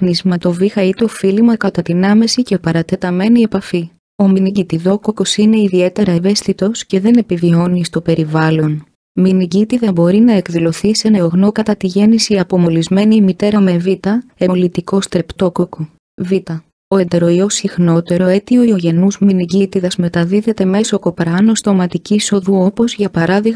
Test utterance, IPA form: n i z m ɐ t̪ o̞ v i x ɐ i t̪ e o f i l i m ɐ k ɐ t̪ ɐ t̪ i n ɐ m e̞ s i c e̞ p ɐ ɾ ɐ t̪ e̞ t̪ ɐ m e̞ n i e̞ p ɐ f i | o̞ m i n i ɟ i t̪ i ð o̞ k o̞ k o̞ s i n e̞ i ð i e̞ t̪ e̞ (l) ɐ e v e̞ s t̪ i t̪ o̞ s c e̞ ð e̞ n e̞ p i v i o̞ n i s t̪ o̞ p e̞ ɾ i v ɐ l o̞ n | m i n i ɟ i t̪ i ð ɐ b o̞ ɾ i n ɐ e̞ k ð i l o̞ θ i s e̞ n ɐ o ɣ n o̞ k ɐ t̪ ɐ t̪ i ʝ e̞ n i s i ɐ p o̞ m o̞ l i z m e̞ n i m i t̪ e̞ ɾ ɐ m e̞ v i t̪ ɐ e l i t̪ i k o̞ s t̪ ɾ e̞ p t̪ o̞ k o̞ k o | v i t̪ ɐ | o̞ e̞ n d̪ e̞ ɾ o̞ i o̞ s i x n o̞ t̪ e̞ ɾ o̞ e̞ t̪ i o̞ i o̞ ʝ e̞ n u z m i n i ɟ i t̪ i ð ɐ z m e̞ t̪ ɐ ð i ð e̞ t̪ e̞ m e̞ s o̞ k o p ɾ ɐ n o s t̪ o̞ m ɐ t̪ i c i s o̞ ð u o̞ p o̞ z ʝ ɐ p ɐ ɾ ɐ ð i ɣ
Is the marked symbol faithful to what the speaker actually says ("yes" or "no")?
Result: no